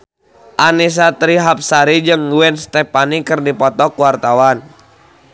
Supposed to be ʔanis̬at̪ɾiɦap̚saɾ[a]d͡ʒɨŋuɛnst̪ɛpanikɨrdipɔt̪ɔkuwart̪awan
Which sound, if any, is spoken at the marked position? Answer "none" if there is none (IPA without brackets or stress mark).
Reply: i